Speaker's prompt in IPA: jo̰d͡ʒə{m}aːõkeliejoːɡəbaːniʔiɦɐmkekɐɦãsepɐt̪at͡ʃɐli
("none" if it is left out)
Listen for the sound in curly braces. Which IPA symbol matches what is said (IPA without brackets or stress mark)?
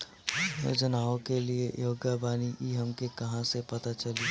n